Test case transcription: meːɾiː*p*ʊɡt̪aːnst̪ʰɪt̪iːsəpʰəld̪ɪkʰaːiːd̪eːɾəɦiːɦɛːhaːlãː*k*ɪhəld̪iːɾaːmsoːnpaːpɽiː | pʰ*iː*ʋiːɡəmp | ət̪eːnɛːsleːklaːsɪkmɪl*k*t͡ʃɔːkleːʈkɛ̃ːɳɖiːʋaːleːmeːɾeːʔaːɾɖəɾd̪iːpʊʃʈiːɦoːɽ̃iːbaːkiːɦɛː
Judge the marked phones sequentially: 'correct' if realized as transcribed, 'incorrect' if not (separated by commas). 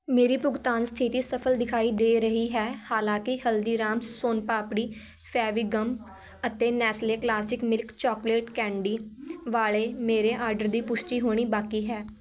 correct, correct, incorrect, correct